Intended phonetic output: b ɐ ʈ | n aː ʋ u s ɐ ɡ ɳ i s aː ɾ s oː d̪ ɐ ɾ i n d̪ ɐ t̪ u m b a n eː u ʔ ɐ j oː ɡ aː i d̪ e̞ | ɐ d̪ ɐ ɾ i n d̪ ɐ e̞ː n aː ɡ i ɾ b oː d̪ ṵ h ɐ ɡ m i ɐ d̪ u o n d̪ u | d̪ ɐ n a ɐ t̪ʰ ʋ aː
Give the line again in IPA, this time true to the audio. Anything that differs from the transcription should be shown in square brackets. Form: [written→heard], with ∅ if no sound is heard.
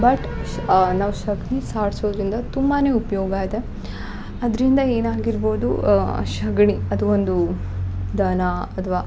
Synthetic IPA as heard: b ɐ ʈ | n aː ʋ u [s→ʃ] ɐ ɡ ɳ i s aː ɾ s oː d̪ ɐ ɾ i n d̪ ɐ t̪ u m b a n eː u [ʔ→p] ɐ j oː ɡ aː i d̪ e̞ | ɐ d̪ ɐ ɾ i n d̪ ɐ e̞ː n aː ɡ i ɾ b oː d̪ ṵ [h→ʃ] ɐ ɡ [m→ɳ] i ɐ d̪ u o n d̪ u | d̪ ɐ n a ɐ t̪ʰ ʋ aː